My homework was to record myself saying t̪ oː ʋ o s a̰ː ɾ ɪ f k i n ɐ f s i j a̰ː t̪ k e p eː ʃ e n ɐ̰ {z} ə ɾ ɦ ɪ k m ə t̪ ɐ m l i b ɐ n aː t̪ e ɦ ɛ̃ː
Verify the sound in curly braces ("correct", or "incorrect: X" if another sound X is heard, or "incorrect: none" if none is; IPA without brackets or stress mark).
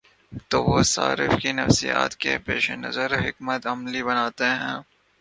correct